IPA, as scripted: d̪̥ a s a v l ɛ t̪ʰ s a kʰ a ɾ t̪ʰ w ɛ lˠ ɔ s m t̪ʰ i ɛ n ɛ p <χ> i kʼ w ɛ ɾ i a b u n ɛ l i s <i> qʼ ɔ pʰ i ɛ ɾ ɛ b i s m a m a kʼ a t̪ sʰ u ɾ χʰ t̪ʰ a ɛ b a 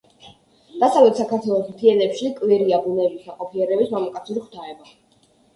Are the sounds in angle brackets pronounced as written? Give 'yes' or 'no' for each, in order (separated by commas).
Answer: no, no